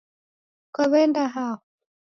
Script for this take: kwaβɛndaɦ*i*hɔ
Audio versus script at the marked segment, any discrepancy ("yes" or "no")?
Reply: yes